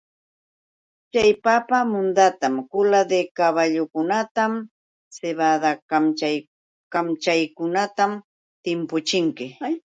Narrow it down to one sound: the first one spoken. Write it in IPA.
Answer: t͡ʃ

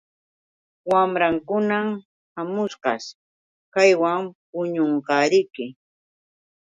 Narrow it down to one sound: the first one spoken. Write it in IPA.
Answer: w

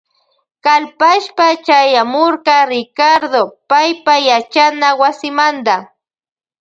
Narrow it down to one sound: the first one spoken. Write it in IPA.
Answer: k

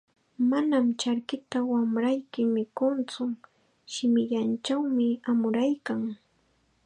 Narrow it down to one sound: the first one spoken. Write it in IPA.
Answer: m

